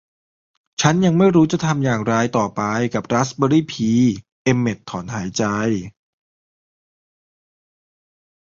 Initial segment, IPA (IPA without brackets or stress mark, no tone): t͡ɕʰ